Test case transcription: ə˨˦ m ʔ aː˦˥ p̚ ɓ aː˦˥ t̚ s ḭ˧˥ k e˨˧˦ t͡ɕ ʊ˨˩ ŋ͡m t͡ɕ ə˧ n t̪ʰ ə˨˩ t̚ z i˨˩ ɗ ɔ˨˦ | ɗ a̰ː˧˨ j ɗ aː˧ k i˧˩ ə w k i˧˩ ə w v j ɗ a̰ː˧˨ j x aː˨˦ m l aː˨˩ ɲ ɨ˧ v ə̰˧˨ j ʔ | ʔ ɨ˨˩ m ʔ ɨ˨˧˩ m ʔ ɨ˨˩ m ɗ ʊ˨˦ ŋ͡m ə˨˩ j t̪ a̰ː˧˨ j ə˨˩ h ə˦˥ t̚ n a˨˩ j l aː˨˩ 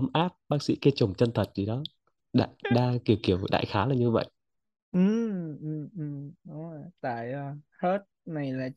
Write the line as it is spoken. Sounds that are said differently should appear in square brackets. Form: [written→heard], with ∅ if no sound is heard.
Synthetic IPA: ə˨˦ m ʔ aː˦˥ p̚ ɓ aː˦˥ [t̚→k̚] s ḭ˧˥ k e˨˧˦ t͡ɕ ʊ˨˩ ŋ͡m t͡ɕ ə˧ n t̪ʰ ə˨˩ t̚ z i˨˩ ɗ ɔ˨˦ | ɗ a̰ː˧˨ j ɗ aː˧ k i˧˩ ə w k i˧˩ ə w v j ɗ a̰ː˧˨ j x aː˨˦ [m→∅] l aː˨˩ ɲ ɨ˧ v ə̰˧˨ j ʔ | ʔ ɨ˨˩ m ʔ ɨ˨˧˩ m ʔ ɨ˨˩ m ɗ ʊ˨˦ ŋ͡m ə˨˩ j t̪ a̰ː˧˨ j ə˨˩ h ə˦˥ t̚ n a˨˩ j l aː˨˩